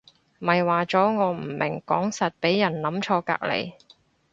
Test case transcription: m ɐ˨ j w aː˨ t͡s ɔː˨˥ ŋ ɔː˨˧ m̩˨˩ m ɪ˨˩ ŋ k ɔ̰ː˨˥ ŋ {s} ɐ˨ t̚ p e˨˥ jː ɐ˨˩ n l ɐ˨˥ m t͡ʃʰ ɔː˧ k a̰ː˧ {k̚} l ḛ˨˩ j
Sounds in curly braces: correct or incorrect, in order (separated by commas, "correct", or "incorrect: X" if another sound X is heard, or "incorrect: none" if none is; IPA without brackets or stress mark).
correct, correct